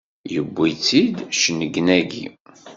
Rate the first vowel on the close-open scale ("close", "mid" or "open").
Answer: mid